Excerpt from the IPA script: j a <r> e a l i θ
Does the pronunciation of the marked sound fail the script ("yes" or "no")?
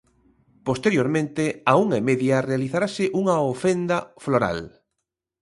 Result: no